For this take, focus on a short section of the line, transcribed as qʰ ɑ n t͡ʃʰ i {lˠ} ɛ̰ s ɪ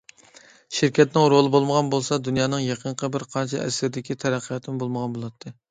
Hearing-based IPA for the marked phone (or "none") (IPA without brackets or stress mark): none